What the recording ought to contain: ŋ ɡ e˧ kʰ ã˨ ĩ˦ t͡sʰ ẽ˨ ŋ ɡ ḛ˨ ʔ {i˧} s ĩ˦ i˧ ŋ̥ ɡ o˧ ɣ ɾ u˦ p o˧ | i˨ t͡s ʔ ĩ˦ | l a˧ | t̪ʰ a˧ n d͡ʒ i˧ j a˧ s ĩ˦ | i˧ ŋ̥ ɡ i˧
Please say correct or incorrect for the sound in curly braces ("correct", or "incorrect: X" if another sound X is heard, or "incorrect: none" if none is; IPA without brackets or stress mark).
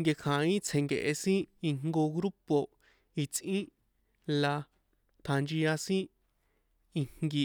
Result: incorrect: e˧